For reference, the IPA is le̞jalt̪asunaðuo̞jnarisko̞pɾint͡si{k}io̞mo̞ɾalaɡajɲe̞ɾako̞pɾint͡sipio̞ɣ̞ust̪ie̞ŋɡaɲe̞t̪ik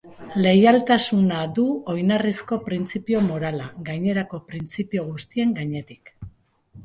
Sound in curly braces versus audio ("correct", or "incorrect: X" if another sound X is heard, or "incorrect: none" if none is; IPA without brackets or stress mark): incorrect: p